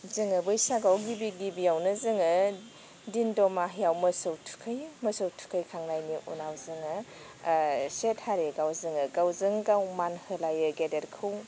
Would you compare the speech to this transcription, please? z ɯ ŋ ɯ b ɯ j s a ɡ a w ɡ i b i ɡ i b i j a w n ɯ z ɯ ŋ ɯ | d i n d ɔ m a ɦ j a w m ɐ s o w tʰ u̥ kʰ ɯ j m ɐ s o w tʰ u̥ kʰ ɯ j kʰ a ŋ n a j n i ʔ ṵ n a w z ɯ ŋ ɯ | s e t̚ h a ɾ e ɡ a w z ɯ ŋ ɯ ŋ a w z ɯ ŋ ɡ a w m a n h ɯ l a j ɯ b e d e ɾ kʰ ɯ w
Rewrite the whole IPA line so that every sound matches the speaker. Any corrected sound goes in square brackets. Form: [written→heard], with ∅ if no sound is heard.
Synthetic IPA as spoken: z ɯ ŋ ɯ b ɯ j s a ɡ a w ɡ i b i ɡ i b i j a w n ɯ z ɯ ŋ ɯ | d i n d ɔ m a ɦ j a w m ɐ s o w tʰ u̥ kʰ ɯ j m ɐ s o w tʰ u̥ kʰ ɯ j kʰ a ŋ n a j n i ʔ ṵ n a w z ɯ ŋ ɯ | s e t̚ h a ɾ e ɡ a w z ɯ ŋ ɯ [ŋ→ɡ] a w z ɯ ŋ ɡ a w m a n h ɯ l a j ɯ [b→ɡ] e d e ɾ kʰ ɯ w